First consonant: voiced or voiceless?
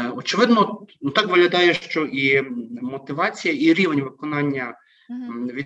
voiceless